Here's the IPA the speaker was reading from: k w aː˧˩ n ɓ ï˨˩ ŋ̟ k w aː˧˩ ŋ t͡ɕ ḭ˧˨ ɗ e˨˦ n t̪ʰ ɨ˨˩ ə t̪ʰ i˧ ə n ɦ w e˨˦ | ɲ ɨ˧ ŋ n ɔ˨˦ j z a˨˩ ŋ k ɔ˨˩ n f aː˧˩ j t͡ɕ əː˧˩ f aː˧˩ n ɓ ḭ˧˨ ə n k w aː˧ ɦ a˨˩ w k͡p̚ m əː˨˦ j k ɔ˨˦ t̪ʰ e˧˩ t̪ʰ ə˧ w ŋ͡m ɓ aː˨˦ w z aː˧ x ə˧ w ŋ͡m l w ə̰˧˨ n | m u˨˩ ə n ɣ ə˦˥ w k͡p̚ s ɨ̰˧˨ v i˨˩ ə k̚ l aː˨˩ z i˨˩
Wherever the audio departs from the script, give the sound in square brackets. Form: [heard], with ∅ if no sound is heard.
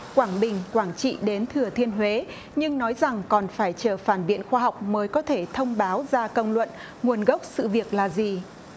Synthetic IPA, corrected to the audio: k w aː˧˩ [ŋ] ɓ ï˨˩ ŋ̟ k w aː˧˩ ŋ t͡ɕ ḭ˧˨ ɗ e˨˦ n t̪ʰ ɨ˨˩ ə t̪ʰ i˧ ə n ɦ w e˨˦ | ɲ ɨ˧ ŋ n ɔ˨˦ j z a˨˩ ŋ k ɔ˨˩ n f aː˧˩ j t͡ɕ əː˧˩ f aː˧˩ n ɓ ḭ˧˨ ə n [x] w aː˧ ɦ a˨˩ w k͡p̚ m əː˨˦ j k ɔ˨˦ t̪ʰ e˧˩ t̪ʰ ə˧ w ŋ͡m ɓ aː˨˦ w z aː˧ [k] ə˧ w ŋ͡m l w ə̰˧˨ n | [ŋ] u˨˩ ə n ɣ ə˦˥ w k͡p̚ s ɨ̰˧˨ v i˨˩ ə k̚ l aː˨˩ z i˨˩